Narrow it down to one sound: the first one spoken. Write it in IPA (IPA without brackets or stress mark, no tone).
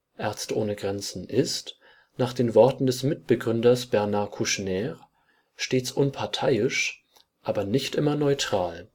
ʔ